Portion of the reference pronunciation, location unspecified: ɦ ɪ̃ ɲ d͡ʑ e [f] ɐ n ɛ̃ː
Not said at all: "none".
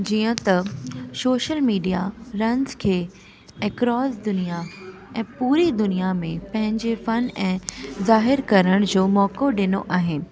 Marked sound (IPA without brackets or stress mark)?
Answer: f